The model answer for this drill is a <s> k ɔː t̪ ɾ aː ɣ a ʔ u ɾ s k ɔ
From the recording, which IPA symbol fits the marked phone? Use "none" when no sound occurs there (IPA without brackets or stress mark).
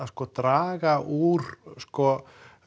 s